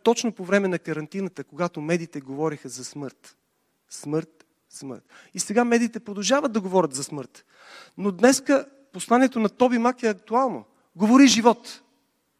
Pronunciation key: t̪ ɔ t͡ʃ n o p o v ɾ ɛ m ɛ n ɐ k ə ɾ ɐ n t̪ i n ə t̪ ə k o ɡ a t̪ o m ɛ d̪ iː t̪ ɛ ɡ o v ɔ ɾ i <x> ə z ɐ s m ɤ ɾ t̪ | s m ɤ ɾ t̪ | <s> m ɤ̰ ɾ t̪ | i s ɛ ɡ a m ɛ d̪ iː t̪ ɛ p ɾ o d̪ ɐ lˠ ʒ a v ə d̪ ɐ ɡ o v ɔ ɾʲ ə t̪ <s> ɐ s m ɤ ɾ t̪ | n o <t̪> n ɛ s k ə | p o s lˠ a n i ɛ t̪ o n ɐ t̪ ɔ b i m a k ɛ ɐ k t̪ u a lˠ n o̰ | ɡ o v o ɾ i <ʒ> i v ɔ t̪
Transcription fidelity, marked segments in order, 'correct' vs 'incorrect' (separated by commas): correct, correct, incorrect, incorrect, correct